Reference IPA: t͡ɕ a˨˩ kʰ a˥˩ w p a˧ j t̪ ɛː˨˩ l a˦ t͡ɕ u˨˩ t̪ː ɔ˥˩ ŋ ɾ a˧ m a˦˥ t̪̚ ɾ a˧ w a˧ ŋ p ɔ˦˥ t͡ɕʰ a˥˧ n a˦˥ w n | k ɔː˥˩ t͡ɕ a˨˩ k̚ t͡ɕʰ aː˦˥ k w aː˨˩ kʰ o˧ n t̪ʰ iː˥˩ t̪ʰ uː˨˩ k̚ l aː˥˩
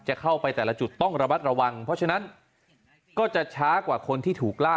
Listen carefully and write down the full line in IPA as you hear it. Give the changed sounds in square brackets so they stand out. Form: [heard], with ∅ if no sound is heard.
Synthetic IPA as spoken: t͡ɕ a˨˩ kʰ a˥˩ w p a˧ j t̪ ɛː˨˩ l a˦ t͡ɕ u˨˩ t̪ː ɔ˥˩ ŋ ɾ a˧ m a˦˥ t̪̚ ɾ a˧ w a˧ ŋ [pʰ] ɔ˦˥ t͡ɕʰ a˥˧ n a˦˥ [∅] n | k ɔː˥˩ t͡ɕ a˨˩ [∅] t͡ɕʰ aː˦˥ k w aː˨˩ kʰ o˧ n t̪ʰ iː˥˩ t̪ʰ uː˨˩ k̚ l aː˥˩